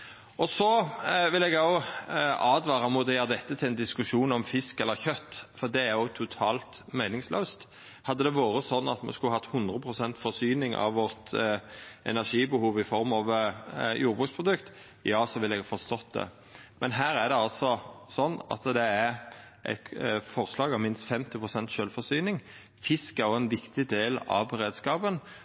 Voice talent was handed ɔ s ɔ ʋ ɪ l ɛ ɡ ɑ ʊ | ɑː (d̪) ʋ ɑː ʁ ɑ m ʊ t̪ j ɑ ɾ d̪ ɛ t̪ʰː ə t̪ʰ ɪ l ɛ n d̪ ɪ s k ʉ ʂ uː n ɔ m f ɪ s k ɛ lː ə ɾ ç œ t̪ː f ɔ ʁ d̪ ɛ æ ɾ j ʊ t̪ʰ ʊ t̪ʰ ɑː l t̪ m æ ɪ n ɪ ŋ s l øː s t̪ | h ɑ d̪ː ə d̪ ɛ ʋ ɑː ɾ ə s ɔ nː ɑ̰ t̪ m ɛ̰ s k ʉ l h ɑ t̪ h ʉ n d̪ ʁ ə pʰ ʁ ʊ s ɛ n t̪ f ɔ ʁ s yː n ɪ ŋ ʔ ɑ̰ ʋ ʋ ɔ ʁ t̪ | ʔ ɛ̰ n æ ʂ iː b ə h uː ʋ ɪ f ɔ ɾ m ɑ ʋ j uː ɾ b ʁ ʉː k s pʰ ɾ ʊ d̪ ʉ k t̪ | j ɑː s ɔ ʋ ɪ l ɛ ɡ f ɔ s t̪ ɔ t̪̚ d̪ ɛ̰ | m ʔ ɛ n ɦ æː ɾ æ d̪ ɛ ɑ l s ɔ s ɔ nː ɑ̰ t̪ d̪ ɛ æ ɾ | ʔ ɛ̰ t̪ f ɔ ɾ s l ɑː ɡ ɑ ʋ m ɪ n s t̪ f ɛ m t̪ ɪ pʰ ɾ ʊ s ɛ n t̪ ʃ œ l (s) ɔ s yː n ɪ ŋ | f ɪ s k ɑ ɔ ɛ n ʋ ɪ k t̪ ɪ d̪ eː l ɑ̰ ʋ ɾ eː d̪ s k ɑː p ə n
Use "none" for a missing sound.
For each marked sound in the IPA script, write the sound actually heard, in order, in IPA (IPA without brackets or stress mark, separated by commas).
d̪, f